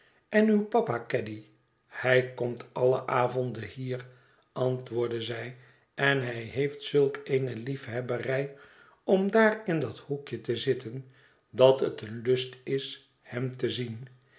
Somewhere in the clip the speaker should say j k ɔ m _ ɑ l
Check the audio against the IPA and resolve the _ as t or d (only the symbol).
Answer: t